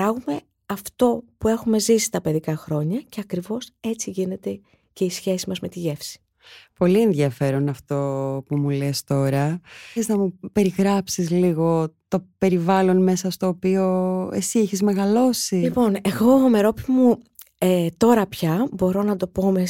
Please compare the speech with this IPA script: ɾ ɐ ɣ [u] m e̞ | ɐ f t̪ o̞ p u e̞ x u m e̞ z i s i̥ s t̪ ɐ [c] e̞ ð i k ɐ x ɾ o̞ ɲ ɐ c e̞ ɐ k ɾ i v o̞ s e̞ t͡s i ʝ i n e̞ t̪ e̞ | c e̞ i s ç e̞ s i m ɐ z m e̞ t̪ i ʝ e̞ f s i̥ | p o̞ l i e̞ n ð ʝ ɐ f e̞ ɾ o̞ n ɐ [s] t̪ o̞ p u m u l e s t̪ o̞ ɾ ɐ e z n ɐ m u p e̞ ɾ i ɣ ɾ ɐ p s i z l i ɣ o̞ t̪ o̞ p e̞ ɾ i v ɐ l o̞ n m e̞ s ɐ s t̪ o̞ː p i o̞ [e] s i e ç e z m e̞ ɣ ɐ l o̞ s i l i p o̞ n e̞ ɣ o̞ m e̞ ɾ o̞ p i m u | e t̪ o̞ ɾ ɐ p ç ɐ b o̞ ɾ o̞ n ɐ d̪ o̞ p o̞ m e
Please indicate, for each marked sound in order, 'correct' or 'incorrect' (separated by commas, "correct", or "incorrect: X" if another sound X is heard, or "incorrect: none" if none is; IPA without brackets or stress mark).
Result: correct, incorrect: p, incorrect: f, correct